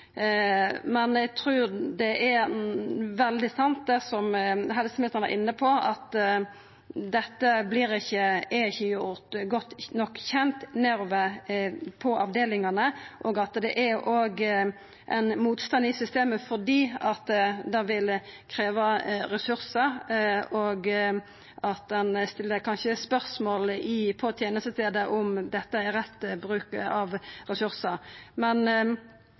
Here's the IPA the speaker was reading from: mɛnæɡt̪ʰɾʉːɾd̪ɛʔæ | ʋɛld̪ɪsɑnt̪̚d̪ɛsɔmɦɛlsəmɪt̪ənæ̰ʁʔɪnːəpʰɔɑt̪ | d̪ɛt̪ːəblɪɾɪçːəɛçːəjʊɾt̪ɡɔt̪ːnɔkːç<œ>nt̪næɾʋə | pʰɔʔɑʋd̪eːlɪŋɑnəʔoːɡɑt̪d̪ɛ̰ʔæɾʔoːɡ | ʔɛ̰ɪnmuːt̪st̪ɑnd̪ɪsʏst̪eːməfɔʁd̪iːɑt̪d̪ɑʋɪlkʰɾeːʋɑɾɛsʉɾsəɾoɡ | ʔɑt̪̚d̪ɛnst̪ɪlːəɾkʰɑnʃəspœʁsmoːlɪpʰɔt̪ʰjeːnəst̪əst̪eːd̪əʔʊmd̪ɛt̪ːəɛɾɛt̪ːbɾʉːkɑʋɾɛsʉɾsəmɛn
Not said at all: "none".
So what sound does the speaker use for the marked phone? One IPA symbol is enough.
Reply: ɛ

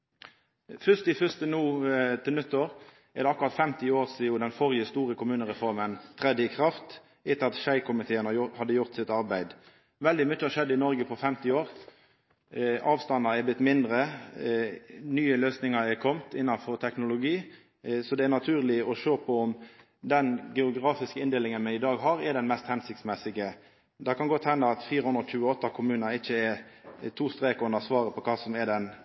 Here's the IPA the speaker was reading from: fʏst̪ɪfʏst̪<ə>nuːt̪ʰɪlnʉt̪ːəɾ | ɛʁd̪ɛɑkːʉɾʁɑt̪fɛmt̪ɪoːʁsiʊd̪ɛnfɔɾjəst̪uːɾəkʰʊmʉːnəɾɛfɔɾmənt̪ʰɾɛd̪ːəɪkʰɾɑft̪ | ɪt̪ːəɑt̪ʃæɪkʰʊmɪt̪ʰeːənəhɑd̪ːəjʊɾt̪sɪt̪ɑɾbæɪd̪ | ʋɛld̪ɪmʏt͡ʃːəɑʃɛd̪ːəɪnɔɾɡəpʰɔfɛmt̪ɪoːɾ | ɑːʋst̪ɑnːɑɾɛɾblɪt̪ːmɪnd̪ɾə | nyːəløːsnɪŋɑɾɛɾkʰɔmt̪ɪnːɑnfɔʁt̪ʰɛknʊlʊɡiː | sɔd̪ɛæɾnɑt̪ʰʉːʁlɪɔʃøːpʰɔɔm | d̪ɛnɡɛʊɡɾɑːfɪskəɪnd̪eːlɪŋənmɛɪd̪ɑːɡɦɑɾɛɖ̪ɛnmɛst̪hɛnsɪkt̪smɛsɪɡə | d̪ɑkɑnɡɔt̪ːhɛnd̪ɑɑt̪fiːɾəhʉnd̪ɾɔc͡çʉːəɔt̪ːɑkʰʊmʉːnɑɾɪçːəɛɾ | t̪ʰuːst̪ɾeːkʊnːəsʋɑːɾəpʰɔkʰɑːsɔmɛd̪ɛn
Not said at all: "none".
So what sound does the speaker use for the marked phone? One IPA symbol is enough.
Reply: ə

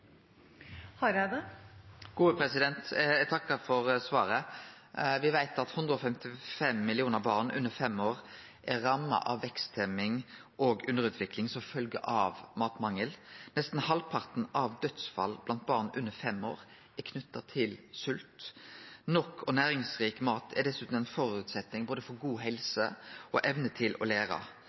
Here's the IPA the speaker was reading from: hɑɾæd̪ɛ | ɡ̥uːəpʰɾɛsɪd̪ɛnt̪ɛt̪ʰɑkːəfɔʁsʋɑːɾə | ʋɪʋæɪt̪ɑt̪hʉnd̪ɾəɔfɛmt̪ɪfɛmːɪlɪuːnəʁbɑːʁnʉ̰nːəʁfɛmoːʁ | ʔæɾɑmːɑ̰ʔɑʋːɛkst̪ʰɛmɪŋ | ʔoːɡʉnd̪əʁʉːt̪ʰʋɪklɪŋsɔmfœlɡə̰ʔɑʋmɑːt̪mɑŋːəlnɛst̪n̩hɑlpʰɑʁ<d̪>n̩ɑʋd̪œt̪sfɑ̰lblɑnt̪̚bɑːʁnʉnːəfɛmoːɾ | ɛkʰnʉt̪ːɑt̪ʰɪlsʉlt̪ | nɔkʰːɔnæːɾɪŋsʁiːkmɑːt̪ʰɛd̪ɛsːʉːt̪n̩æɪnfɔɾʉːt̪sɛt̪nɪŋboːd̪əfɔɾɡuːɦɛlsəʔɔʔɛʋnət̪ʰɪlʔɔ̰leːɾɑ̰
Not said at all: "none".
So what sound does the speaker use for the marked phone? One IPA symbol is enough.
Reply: t̪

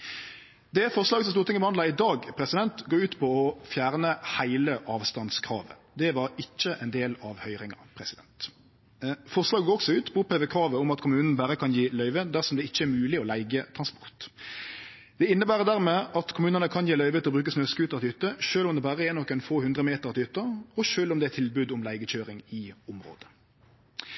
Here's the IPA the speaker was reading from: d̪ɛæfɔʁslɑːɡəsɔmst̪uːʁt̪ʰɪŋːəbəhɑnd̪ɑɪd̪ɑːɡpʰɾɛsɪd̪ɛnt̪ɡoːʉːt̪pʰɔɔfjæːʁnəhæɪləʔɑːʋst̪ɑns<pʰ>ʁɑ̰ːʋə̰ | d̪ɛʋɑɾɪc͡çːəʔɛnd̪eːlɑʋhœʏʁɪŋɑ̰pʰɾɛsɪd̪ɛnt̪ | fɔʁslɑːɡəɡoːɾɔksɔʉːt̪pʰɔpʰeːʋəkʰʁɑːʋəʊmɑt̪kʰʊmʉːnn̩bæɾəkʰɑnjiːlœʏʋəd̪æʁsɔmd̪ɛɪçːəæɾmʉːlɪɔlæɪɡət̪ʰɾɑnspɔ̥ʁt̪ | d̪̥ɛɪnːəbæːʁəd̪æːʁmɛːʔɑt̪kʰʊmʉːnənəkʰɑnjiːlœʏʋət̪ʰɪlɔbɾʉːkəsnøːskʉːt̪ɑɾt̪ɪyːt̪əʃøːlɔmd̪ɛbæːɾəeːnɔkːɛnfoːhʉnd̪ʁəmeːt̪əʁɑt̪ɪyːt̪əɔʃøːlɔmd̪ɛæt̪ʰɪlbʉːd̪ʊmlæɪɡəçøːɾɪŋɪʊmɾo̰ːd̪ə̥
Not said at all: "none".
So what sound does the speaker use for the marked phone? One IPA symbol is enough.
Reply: kʰ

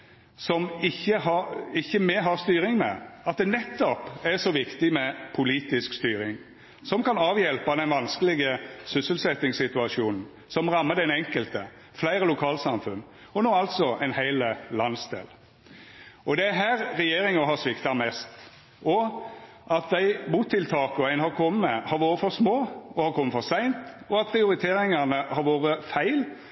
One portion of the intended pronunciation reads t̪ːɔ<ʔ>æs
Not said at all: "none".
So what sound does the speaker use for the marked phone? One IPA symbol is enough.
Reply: p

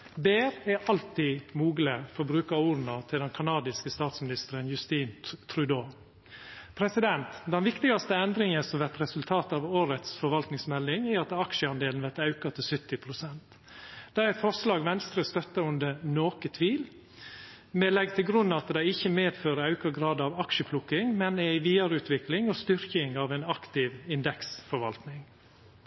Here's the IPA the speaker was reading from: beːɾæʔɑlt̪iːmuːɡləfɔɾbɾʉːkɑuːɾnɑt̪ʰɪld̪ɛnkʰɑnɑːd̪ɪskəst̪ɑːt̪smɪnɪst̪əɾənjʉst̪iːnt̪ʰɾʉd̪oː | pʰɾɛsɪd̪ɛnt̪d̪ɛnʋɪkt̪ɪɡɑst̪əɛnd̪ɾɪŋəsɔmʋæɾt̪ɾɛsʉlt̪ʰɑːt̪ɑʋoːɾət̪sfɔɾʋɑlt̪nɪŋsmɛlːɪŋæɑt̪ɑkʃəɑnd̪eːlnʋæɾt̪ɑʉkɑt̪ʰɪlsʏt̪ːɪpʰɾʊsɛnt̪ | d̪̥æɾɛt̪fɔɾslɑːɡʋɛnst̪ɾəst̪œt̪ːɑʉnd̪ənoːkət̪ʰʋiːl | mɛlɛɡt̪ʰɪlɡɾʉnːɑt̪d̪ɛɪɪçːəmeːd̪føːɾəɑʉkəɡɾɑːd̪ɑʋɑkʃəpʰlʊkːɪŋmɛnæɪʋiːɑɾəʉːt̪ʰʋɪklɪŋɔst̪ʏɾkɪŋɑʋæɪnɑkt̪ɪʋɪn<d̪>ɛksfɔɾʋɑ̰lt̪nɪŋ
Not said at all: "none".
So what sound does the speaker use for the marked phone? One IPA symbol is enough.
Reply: d̪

